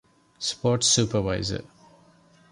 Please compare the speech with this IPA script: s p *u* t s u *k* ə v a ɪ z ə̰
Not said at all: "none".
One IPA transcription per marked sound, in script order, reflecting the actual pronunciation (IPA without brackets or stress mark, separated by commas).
ɔ, p